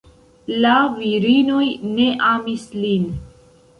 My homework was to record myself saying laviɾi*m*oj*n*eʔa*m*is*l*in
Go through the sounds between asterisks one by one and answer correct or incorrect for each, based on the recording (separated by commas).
incorrect, correct, correct, correct